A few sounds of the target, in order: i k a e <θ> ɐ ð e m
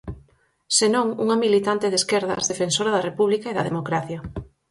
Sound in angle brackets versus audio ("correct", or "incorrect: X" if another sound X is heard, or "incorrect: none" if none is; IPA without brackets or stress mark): incorrect: ð